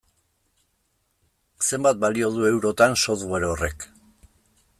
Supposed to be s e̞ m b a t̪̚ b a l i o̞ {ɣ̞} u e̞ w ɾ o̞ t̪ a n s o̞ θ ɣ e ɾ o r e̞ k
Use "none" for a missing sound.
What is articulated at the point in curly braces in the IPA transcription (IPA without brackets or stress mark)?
ð̞